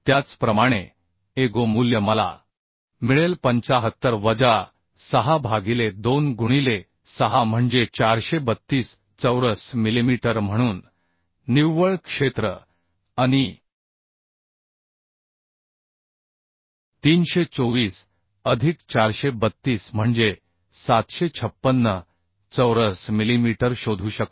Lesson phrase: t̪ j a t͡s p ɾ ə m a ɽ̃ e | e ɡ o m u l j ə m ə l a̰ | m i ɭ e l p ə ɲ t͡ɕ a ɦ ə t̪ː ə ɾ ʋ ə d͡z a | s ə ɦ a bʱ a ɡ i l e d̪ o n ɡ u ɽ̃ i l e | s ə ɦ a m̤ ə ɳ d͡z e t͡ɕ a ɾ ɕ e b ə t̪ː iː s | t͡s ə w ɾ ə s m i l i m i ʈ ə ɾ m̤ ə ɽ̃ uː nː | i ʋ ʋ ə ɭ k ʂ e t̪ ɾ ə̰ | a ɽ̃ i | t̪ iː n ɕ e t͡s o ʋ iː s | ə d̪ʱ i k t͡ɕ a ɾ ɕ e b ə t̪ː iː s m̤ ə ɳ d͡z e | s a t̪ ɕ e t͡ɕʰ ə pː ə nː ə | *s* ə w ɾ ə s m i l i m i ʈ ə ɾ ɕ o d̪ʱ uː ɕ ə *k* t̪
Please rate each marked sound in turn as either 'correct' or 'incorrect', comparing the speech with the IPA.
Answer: incorrect, correct

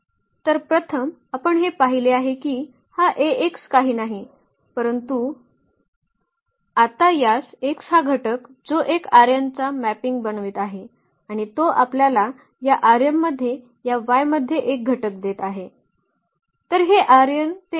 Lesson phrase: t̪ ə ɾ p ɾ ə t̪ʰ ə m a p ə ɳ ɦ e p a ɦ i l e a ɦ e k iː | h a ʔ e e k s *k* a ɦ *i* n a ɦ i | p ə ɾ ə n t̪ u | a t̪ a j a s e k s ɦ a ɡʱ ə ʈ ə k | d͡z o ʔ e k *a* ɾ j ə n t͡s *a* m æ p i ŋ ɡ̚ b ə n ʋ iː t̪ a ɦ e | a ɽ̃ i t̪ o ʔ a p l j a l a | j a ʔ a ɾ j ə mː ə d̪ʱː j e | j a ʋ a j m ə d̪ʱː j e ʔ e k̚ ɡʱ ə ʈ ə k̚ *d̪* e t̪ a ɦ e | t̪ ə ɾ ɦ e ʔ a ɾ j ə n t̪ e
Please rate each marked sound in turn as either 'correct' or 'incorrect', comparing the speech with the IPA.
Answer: correct, incorrect, correct, correct, correct

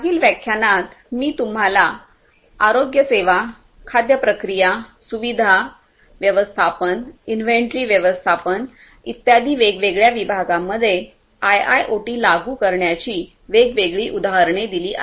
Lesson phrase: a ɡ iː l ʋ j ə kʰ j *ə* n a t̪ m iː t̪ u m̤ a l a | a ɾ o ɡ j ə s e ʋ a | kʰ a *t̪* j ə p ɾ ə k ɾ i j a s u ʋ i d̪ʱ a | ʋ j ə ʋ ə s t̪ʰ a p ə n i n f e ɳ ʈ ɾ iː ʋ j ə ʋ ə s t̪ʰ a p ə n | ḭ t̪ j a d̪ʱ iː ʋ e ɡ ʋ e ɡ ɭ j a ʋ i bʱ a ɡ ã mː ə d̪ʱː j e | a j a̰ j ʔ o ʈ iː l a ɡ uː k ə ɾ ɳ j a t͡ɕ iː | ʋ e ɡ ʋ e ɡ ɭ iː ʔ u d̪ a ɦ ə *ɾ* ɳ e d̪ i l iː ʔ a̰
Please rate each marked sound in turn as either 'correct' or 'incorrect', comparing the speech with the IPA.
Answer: incorrect, incorrect, correct

